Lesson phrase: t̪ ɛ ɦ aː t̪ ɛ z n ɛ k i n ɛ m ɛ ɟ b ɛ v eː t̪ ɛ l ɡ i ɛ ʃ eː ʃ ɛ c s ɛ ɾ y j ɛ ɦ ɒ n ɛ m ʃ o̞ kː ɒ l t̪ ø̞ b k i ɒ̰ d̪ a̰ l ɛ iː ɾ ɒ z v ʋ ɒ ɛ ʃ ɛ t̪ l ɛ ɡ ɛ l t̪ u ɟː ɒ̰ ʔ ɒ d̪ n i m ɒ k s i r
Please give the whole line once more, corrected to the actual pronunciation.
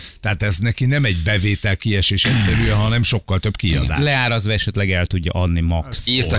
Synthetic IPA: t̪ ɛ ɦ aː t̪ ɛ z n ɛ k i n ɛ m ɛ ɟ b ɛ v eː t̪ ɛ l k i ɛ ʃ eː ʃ ɛ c s ɛ ɾ y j ɛ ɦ ɒ n ɛ m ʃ o̞ kː ɒ l t̪ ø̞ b k i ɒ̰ d̪ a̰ l ɛ aː ɾ ɒ z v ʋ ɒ ɛ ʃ ɛ t̪ l ɛ ɡ ɛ l t̪ u ɟː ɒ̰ ʔ ɒ d̪ n i m ɒ k s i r